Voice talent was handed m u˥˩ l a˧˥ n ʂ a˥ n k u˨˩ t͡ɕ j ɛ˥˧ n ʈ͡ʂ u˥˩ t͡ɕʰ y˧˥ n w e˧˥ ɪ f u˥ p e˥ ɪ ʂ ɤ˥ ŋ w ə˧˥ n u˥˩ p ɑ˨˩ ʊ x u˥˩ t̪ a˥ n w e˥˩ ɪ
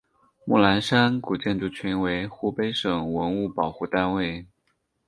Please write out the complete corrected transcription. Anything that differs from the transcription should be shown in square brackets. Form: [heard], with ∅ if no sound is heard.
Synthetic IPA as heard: m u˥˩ l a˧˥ n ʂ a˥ n k u˨˩ t͡ɕ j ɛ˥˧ n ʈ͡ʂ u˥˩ t͡ɕʰ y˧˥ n w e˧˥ ɪ [x] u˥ p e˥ ɪ ʂ [ɤ˨˩] ŋ w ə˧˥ n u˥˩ p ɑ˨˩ ʊ x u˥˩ t̪ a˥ n w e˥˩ ɪ